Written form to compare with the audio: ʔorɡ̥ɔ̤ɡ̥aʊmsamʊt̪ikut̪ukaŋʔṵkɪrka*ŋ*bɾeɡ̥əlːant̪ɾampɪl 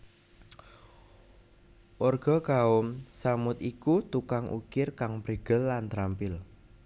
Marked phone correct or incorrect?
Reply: correct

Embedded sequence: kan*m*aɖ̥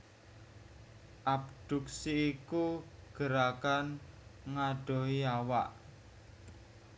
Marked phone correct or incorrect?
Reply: incorrect: ŋ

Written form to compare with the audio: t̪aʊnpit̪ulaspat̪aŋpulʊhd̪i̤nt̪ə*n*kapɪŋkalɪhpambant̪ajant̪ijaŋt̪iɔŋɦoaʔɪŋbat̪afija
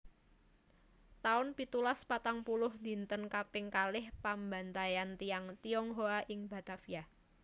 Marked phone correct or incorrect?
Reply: correct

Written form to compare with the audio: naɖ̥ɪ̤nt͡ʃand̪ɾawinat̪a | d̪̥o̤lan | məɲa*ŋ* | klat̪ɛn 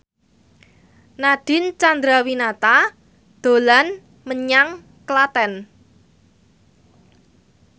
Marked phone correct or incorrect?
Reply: correct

